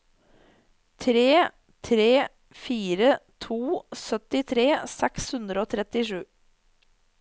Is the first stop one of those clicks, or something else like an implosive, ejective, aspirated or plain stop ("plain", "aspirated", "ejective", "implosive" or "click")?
aspirated